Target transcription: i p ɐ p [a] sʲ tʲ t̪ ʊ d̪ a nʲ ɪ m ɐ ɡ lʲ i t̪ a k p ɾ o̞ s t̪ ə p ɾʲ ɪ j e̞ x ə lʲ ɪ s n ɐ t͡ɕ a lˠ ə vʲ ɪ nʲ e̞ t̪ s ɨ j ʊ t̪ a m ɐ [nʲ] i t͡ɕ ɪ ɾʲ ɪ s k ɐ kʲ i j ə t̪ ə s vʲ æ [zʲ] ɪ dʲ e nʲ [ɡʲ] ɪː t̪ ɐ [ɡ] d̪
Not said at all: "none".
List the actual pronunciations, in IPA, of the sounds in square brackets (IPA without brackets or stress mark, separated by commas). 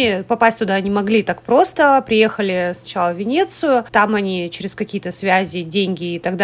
a, nʲ, zʲ, ɡʲ, ɡ